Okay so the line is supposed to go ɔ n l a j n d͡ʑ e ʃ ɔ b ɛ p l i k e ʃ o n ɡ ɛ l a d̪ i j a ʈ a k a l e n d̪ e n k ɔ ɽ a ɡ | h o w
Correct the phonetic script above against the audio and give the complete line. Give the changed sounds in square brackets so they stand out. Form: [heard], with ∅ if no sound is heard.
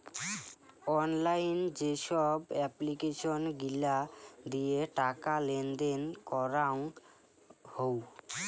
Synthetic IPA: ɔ n l a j n d͡ʑ e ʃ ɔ b ɛ p l i k e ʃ o n ɡ [i] l a d̪ i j [e] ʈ a k a l e n d̪ e n k ɔ [ɾ] a [ŋ] | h o w